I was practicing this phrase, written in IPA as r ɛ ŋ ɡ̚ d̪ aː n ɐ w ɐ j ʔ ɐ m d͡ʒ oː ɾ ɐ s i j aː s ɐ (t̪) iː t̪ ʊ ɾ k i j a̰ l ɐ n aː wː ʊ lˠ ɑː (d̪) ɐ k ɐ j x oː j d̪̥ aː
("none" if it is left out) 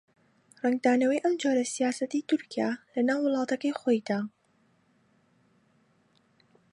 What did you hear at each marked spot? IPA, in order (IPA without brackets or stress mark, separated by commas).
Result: t̪, t̪